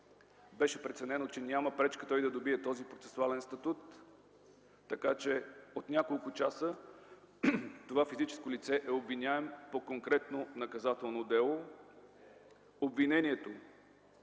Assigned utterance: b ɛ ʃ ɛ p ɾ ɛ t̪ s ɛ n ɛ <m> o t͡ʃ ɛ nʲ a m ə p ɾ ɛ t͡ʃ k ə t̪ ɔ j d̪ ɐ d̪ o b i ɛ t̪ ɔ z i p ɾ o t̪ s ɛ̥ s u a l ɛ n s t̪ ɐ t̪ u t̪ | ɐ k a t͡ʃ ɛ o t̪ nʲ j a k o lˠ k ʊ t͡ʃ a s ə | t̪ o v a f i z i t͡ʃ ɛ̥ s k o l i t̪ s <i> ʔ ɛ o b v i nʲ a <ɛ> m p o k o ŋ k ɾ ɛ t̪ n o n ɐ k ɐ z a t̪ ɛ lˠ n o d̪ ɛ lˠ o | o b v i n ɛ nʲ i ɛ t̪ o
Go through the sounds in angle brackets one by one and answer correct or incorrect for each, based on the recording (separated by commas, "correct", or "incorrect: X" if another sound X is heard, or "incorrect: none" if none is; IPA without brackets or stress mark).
incorrect: n, incorrect: ɛ, correct